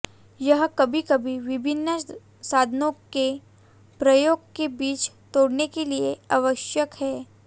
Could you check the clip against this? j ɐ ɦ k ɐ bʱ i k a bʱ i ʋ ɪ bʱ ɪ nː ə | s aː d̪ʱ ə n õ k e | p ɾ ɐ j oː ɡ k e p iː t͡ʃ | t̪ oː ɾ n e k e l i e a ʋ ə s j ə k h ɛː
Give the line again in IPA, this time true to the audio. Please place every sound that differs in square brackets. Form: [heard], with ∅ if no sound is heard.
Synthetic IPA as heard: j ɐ ɦ k ɐ bʱ i k [ɐ] bʱ i ʋ ɪ bʱ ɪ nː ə | s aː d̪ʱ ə n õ k e | p ɾ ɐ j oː ɡ k e [b] iː t͡ʃ | t̪ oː [ɽ] n e k e l i e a ʋ ə [ʃ] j ə k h ɛː

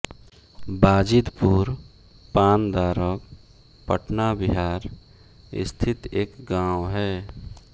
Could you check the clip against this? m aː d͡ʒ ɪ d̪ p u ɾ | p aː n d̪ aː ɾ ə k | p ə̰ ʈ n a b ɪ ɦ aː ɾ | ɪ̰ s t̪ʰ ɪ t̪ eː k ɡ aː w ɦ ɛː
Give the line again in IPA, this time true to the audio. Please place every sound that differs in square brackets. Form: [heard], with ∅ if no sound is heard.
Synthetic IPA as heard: [b] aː d͡ʒ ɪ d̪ p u ɾ | p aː n d̪ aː ɾ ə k | p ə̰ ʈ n a b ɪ ɦ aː ɾ | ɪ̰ s t̪ʰ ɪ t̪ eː k ɡ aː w ɦ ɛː

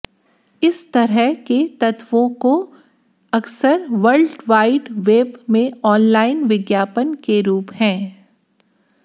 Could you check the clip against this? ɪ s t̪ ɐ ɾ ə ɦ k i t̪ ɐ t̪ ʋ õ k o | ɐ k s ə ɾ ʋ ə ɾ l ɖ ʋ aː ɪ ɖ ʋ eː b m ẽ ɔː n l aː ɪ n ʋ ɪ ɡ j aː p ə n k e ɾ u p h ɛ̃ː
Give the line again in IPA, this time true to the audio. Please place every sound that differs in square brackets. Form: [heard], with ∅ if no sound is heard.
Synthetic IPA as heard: ɪ s t̪ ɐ ɾ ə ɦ k [e] t̪ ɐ t̪ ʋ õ k o | ɐ k s ə ɾ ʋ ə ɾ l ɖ ʋ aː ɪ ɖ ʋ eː b m ẽ ɔː n l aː ɪ n ʋ ɪ ɡ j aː p ə n k e ɾ [uː] p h ɛ̃ː

